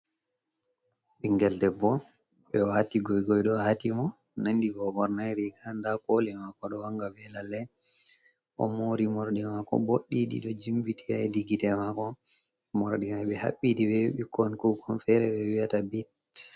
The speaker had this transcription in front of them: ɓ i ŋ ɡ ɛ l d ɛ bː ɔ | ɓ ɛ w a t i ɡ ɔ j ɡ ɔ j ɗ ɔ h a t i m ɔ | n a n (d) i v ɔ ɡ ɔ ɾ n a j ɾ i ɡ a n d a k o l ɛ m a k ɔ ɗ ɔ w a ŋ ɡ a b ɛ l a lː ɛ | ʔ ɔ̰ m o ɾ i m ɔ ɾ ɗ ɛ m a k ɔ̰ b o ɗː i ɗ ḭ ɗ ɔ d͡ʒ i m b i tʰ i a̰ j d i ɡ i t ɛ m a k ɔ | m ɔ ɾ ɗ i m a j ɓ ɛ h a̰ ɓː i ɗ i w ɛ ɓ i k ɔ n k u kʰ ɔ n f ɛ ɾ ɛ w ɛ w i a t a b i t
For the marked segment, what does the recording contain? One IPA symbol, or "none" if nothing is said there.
d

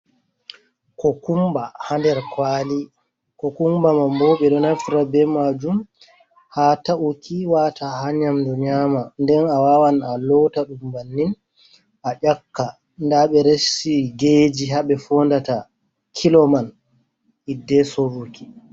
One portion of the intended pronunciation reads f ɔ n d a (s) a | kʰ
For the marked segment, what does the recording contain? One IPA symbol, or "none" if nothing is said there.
t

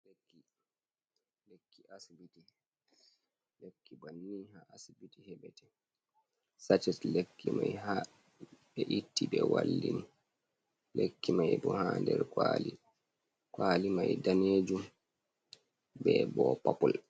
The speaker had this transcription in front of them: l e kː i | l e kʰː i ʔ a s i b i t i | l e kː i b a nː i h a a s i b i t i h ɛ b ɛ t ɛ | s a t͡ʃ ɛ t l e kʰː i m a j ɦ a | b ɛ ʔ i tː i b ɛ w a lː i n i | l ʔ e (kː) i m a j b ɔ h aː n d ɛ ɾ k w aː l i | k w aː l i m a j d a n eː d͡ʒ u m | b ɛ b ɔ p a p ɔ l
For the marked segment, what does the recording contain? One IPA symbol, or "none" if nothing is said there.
kː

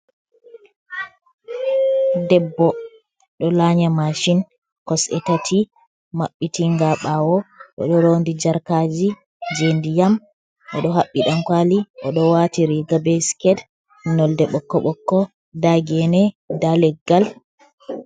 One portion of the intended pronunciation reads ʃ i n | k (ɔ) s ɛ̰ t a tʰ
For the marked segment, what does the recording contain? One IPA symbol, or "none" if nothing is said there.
ɔ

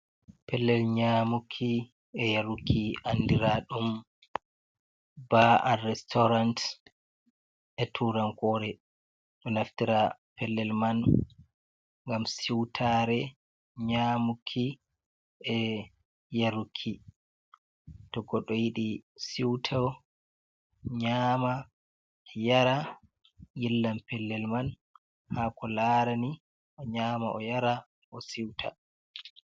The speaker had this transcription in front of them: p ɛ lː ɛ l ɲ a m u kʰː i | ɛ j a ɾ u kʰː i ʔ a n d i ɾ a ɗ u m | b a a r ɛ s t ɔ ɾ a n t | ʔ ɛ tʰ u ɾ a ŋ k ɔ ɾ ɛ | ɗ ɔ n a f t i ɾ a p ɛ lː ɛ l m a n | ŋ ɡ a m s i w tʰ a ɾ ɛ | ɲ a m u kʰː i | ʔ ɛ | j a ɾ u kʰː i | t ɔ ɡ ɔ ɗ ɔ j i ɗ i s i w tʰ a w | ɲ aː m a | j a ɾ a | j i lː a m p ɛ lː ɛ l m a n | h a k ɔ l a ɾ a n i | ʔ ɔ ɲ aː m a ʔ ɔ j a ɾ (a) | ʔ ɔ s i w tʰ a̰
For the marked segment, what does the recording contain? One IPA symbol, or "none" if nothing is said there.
a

